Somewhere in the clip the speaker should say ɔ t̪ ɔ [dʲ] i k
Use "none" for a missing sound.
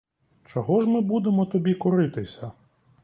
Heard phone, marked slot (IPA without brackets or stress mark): bʲ